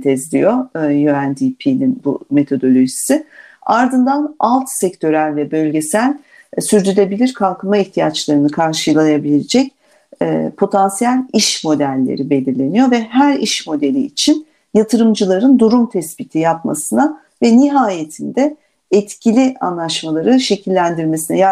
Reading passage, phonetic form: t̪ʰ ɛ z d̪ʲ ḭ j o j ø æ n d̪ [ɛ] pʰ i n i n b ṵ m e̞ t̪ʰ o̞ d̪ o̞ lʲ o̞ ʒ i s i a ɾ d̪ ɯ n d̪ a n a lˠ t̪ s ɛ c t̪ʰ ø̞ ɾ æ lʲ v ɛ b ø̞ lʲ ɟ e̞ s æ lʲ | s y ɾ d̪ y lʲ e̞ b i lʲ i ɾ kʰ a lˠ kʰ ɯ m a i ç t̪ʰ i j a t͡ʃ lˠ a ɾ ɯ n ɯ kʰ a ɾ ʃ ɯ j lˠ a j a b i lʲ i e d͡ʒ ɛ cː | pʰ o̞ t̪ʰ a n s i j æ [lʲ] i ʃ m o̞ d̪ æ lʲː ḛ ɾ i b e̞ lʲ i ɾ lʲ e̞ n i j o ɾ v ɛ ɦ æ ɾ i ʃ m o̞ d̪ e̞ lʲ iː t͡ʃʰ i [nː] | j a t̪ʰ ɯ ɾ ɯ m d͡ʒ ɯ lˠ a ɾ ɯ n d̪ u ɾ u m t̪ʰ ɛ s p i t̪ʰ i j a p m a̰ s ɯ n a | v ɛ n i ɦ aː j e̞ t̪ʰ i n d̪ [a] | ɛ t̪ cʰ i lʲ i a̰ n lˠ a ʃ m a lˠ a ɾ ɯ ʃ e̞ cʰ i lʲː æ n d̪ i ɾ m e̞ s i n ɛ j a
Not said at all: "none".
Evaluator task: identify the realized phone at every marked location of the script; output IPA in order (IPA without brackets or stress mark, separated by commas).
i, lʲ, n, ɛ